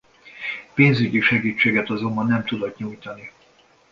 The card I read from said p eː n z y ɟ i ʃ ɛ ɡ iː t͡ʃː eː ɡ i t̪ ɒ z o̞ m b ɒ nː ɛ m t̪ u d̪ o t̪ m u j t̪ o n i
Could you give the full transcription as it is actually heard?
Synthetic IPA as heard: p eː n z y ɟ i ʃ ɛ ɡ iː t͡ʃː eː ɡ ɛ t̪ ɒ z o̞ m b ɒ nː ɛ m t̪ u d̪ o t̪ ɲ u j t̪ ɒ n i